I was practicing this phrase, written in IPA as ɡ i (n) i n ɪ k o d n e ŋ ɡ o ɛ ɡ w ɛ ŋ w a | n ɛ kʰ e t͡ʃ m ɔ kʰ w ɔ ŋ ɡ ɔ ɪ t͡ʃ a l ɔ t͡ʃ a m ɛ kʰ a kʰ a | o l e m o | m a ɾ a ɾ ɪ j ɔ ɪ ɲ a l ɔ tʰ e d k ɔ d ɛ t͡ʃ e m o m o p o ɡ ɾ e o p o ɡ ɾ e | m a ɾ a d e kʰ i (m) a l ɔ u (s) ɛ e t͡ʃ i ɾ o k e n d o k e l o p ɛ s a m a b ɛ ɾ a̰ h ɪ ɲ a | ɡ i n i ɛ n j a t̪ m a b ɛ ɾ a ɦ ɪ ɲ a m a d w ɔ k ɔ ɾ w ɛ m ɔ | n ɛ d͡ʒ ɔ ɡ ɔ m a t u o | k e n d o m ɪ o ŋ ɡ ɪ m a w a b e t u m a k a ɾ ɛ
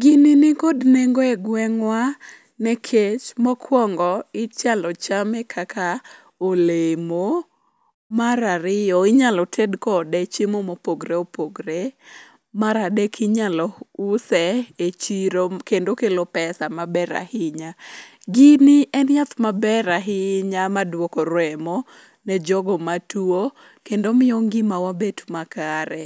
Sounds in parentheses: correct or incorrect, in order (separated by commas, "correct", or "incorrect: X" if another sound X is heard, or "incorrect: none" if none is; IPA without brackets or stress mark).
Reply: correct, incorrect: ɲ, correct